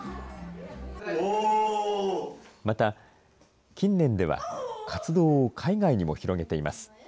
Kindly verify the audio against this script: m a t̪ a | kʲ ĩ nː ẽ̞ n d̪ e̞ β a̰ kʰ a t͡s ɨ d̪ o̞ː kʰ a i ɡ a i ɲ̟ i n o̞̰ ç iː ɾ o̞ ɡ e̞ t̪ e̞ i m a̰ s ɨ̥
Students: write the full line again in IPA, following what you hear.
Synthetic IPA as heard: m a t̪ a | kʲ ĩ nː ẽ̞ n d̪ e̞ β a̰ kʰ a t͡s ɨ d̪ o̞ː kʰ a i ɡ a i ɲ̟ i m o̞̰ ç i ɾ o̞ ɡ e̞ t̪ e̞ i m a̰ s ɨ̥

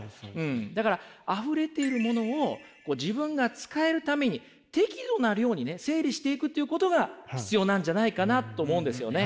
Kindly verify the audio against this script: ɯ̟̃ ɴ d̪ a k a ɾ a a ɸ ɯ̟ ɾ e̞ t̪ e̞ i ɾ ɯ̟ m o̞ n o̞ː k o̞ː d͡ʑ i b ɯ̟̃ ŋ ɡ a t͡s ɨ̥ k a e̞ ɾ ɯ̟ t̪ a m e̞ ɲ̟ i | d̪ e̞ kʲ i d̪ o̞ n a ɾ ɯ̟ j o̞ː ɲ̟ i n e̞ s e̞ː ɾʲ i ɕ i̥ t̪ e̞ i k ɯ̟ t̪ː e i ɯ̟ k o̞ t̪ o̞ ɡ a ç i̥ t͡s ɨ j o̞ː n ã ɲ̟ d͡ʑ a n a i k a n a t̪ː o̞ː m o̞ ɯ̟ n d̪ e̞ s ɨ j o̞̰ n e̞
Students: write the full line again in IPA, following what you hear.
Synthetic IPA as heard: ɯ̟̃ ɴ d̪ a k a ɾ a a ɸ ɯ̟ ɾ e̞ t̪ e̞ i ɾ ɯ̟ m o̞ n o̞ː k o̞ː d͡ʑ i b ɯ̟̃ ŋ ɡ a t͡s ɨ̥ k a e̞ ɾ ɯ̟ t̪ a m e̞ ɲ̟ i | t̪ e̞ kʲ i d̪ o̞ n a ɾ ɯ̟ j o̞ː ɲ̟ i n e̞ s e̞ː ɾʲ i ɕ i̥ t̪ e̞ i k ɯ̟ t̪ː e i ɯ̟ k o̞ t̪ o̞ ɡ a ç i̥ t͡s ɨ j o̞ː n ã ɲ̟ d͡ʑ a n a i k a n a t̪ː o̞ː m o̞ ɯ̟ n d̪ e̞ s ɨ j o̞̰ n e̞

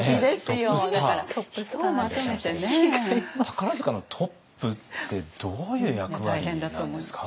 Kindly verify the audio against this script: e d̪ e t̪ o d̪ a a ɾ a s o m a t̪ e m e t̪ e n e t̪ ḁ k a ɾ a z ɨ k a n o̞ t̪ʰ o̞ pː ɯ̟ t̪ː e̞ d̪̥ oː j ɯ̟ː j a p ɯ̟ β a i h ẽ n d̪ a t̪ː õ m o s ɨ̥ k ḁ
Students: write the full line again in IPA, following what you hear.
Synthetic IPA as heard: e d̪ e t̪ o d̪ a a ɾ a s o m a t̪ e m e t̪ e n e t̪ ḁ k a ɾ a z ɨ k a n o̞ t̪ʰ o̞ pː ɯ̟ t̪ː e̞ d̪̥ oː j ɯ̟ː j a k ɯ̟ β a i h ẽ n d̪ a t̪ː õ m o s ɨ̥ k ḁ

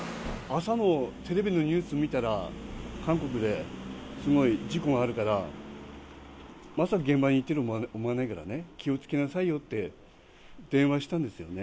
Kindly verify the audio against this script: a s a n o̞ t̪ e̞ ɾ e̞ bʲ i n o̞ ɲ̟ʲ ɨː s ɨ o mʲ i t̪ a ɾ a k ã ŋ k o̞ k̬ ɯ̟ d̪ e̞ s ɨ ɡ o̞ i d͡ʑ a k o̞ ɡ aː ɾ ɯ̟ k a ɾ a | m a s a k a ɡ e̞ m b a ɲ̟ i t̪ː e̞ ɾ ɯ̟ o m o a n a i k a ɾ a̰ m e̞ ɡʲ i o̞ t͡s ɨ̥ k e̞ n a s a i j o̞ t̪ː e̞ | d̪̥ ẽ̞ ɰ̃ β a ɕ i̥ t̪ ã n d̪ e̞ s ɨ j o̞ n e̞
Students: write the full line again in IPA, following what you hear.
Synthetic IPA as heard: a s a n o̞ t̪ e̞ ɾ e̞ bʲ i n o̞ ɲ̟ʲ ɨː s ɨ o mʲ i t̪ a ɾ a k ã ŋ k o̞ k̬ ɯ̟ d̪ e̞ s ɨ ɡ o̞ i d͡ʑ i k o̞ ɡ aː ɾ ɯ̟ k a ɾ a | m a s a k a ɡ ẽ̞ m b a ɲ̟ i t̪ː e̞ ɾ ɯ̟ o m o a n a i k a ɾ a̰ n e̞ kʲ i o̞ t͡s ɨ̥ k e̞ n a s a i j o̞ t̪ː e̞ | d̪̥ ẽ̞ ɰ̃ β a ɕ i̥ t̪ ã n d̪ e̞ s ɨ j o̞ n e̞

